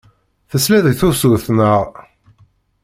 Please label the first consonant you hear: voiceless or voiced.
voiceless